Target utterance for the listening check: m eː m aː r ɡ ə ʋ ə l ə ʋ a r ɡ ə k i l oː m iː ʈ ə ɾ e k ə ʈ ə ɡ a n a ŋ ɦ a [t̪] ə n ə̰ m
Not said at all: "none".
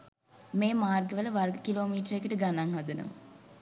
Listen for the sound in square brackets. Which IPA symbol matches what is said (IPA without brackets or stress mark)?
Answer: d̪